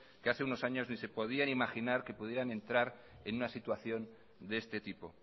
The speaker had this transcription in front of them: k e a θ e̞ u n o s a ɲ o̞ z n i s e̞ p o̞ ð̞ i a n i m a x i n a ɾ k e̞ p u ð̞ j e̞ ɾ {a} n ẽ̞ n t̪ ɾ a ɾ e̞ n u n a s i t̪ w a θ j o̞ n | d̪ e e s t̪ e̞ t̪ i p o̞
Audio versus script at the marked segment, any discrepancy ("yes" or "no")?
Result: no